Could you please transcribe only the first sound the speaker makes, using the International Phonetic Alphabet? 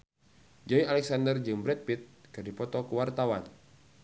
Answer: d͡ʒ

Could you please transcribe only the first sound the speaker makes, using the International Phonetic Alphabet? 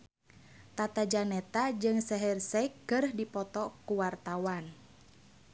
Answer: t̪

